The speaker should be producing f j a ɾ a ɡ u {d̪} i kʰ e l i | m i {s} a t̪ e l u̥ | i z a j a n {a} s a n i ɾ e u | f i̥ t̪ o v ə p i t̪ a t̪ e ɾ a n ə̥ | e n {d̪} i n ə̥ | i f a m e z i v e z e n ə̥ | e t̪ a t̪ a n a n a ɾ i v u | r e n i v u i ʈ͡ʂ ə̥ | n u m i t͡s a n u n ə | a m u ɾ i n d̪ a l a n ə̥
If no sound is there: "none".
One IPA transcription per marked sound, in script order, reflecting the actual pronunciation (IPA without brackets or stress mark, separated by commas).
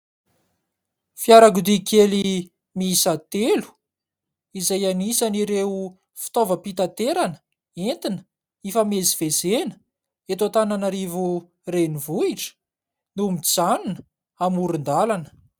d̪, s, i, t̪